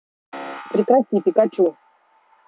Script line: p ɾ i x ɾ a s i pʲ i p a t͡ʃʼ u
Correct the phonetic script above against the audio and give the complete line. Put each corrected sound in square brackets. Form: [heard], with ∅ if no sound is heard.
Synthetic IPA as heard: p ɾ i [k] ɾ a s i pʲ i [k] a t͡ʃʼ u